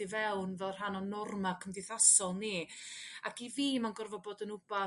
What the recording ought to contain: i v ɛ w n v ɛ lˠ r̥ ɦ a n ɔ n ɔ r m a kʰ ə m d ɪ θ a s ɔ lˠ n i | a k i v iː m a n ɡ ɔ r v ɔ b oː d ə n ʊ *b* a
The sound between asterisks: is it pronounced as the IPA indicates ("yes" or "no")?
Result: yes